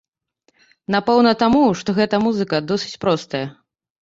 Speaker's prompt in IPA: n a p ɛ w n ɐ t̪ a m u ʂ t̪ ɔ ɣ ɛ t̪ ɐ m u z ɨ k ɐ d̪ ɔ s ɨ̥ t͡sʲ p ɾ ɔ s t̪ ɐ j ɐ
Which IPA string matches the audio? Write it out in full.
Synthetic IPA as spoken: n a p ɛ w n ɐ t̪ a m u ʂ t̪ ɔ ɣ ɛ t̪ ɐ m u z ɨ k ɐ d̪ ɔ s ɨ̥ t͡sʲ p ɾ ɔ s t̪ ɐ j ɐ